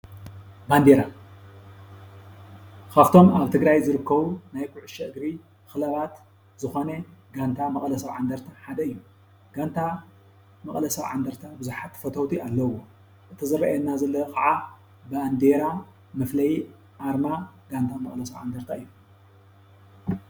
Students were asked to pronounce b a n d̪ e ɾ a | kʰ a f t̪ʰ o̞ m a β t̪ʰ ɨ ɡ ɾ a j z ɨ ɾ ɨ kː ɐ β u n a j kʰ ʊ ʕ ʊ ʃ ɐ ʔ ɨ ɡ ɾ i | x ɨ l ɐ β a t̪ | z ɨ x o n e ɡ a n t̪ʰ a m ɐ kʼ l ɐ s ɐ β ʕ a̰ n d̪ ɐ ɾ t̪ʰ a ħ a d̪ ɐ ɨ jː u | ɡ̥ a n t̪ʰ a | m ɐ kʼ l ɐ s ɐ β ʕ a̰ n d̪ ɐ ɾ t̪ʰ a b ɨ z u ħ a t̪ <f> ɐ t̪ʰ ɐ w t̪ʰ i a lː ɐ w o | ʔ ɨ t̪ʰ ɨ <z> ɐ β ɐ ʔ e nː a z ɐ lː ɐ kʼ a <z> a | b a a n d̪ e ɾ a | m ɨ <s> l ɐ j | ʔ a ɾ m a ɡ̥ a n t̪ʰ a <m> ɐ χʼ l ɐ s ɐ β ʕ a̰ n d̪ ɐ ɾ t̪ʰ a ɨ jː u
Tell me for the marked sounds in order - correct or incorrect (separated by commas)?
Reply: correct, correct, incorrect, incorrect, correct